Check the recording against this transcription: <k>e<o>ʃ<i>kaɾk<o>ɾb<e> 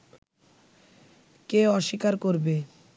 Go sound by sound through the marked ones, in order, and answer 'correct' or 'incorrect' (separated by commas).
correct, incorrect, correct, correct, correct